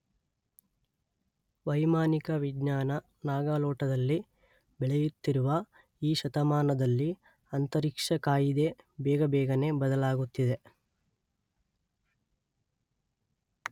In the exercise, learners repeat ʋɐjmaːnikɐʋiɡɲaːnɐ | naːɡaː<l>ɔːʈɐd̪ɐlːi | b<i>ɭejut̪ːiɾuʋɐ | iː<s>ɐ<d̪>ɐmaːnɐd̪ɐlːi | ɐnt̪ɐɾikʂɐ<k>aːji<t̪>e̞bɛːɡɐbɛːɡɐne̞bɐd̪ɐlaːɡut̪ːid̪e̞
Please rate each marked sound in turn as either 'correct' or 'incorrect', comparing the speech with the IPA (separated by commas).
correct, incorrect, incorrect, incorrect, correct, incorrect